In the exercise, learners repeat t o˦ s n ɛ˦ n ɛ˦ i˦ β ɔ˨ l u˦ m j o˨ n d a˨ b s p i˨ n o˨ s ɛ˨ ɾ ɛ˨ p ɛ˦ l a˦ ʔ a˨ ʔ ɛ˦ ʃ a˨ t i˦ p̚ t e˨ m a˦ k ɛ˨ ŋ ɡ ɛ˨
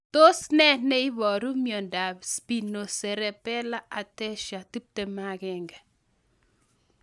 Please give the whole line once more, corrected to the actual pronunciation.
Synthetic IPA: t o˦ s n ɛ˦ n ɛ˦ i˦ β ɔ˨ ɾ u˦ m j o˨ n d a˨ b s p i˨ n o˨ s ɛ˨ ɾ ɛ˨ p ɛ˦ l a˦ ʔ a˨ t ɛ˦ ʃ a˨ t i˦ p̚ t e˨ m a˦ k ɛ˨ ŋ ɡ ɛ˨